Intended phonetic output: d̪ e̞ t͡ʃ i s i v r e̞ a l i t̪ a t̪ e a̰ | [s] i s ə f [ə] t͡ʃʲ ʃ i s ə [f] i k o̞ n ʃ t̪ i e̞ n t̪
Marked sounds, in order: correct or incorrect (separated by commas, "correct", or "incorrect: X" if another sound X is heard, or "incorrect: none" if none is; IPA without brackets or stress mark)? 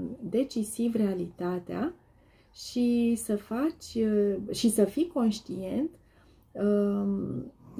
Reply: incorrect: ʃ, incorrect: a, correct